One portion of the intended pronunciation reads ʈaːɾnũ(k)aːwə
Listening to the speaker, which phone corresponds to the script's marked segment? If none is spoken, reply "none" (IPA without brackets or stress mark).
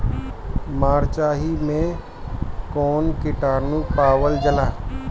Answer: p